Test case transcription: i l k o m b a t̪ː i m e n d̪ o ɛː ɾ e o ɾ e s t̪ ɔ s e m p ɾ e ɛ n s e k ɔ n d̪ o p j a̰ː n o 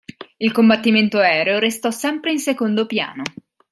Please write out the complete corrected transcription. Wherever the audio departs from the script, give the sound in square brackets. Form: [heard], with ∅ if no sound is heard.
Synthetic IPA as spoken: i l k o m b a t̪ː i m e n [t̪] o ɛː ɾ e o ɾ e s t̪ ɔ s [ɛ] m p ɾ e [i] n s e k [o] n d̪ o p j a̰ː n o